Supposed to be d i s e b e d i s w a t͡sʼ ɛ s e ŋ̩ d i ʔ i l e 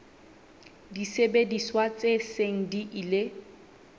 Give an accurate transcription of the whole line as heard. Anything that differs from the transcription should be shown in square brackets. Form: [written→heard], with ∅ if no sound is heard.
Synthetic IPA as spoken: d i s e b e d i s w a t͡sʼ [ɛ→e] s e ŋ̩ d i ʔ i l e